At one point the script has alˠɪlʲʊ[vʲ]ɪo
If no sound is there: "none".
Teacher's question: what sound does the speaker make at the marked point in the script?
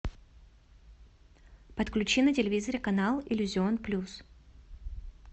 zʲ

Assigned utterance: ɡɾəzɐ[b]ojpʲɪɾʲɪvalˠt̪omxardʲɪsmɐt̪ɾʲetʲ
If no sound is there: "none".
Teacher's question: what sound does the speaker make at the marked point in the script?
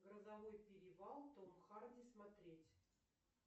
v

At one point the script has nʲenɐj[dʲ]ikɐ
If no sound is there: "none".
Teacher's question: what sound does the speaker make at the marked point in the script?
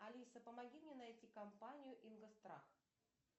tʲ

